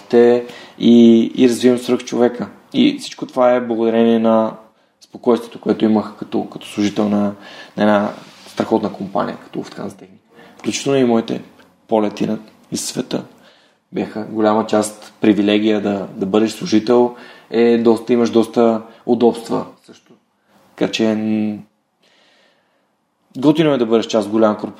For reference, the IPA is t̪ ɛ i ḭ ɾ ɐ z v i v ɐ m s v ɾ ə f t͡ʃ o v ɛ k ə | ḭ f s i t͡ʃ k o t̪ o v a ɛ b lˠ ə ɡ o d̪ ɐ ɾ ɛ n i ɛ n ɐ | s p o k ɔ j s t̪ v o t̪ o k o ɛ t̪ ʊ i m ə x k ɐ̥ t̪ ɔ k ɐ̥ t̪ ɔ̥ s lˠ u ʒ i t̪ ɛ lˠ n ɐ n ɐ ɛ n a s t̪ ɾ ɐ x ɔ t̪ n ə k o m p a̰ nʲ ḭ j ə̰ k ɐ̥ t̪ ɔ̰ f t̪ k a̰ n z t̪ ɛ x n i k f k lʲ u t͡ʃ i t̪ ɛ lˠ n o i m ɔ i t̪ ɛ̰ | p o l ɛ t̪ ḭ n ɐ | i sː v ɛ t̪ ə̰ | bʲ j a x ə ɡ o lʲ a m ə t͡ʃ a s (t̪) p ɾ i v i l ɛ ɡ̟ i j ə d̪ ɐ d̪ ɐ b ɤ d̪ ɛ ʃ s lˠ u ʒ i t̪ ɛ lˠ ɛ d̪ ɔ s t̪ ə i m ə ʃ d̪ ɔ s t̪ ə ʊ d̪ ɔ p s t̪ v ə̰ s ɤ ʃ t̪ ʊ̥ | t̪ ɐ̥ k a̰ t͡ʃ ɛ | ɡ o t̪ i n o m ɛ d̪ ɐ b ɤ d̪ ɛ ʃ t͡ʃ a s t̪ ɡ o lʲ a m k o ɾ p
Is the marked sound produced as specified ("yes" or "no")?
yes